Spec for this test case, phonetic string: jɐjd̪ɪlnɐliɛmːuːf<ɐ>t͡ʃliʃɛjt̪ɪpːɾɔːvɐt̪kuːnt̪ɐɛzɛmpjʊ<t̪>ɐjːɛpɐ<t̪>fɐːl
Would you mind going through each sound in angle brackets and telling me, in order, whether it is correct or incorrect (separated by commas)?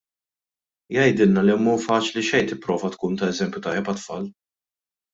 incorrect, correct, correct